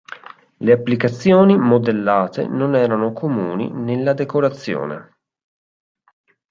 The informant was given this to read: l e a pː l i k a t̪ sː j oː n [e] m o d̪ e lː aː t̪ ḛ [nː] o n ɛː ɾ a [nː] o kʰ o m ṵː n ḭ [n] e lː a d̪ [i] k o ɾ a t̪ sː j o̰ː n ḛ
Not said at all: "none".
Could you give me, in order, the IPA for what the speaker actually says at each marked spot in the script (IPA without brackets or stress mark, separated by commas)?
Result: i, n, n, n, e